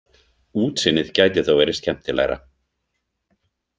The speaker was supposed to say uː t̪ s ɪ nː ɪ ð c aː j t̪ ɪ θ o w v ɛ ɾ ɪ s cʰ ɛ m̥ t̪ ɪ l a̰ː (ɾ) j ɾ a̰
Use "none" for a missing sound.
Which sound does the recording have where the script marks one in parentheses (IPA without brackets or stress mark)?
none